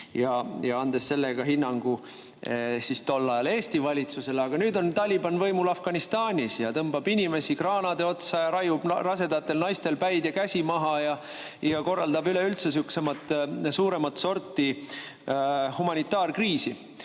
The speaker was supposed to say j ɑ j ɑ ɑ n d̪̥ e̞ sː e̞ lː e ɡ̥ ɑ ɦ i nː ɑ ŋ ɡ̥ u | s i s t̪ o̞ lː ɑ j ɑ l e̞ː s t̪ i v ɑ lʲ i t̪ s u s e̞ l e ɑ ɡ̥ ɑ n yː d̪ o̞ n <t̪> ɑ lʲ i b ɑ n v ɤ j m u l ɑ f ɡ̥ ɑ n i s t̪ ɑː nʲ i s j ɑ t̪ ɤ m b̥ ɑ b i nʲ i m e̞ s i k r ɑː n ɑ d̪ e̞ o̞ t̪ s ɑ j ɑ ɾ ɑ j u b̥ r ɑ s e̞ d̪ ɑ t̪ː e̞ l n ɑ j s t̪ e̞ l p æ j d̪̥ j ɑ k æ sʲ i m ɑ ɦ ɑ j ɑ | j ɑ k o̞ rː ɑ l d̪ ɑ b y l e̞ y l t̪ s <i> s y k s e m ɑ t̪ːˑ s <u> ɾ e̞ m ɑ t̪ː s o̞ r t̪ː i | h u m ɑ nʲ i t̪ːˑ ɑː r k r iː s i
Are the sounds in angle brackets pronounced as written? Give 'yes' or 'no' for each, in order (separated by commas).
yes, no, no